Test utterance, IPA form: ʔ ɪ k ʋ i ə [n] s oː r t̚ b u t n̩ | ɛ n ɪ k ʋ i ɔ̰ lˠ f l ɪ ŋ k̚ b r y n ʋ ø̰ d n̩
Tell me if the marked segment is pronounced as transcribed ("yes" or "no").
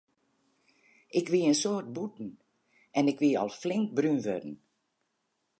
yes